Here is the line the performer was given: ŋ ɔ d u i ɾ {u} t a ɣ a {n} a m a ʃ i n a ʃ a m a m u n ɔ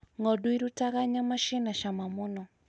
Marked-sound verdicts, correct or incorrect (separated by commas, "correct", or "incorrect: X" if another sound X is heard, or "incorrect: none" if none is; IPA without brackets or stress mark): correct, incorrect: ɲ